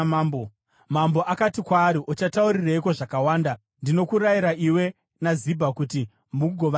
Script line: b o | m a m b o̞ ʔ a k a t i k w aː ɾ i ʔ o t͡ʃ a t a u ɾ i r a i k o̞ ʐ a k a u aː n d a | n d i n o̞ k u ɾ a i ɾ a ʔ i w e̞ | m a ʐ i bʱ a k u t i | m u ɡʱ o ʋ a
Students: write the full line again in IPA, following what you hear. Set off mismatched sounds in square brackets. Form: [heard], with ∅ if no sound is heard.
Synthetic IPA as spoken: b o | m a m b o̞ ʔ a k a t i k w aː ɾ i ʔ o t͡ʃ a t a u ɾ i r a i k o̞ ʐ a k a [w] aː n d a | n d i n o̞ k u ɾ a i ɾ a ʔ i w e̞ | [n] a [z] i bʱ a k u t i | m u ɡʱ o ʋ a

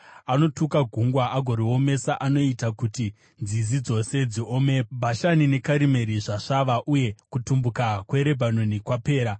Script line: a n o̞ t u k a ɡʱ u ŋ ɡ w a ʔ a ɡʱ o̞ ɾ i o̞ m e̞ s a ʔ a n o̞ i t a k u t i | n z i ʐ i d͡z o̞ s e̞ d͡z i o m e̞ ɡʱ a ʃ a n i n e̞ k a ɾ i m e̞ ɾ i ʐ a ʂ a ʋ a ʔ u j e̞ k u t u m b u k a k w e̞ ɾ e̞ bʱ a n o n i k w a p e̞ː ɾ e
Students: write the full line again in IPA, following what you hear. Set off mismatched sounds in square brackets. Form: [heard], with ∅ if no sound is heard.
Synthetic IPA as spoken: a n o̞ t u k a ɡʱ u ŋ ɡ w a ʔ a ɡʱ o̞ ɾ i o̞ m e̞ s a ʔ a n o̞ i t a k u t i | n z i [z] i d͡z o̞ s e̞ d͡z i o m e̞ [bʱ] a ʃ a n i n e̞ k a ɾ i m e̞ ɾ i ʐ a ʂ a ʋ a ʔ u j e̞ k u t u m b u k a k w e̞ ɾ e̞ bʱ a n o n i k w a p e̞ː ɾ [a]

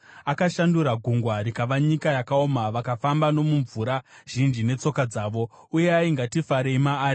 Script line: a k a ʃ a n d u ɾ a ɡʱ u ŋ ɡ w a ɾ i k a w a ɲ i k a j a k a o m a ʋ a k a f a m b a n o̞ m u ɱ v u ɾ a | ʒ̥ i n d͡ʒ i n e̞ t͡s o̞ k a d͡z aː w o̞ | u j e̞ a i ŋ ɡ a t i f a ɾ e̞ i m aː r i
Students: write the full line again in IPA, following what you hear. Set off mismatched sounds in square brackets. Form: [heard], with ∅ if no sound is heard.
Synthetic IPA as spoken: a k a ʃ a n d u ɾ a ɡʱ u ŋ ɡ w a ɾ i k a [ʋ] a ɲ i k a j a k a o m a ʋ a k a f a m b a n o̞ m u ɱ v u ɾ a | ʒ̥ i n d͡ʒ i n e̞ t͡s o̞ k a d͡z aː [ʋ] o̞ | u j e̞ a i ŋ ɡ a t i f a ɾ e̞ i m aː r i

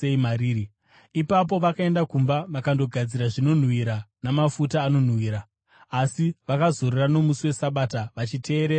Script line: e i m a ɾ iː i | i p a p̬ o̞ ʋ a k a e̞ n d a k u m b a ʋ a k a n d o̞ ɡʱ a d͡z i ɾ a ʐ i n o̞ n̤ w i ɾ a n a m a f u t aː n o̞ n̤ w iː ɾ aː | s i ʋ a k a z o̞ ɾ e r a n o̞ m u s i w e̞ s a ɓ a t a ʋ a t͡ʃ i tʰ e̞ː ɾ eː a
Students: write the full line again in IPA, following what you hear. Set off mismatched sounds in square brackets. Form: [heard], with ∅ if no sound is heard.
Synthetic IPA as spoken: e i m a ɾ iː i | i p a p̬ o̞ ʋ a k a e̞ n d a k u m b a ʋ a k a n d o̞ ɡʱ a d͡z i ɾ a ʐ i n o̞ n̤ w i ɾ a n a m a f u t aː n o̞ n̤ w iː ɾ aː | s i ʋ a k a z o̞ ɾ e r a n o̞ m u s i w e̞ s a ɓ a t a ʋ a t͡ʃ i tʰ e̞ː ɾ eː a

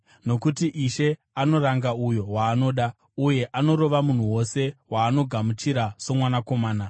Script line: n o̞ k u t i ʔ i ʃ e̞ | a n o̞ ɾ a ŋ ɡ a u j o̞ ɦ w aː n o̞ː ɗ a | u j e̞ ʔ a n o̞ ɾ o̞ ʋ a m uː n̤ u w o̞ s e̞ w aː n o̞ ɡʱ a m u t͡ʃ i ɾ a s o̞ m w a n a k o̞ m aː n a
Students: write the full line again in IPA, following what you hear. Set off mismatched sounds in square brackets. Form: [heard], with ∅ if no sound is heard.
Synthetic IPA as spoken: n o̞ k u t i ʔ i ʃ e̞ | a n o̞ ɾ a ŋ ɡ a u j o̞ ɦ w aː n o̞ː ɗ a | u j e̞ ʔ a n o̞ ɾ o̞ ʋ a m [u] n̤ u w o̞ s e̞ w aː n o̞ ɡʱ a m u t͡ʃ i ɾ a s o̞ m w a n a k o̞ m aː n a

